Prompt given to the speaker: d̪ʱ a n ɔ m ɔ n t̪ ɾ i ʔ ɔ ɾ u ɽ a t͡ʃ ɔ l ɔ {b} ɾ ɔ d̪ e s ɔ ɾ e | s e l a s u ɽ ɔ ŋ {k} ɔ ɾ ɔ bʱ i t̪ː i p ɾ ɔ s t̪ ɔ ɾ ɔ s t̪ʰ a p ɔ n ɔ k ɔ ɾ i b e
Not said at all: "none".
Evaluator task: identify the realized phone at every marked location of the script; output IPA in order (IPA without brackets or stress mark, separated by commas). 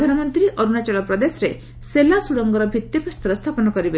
p, ɡ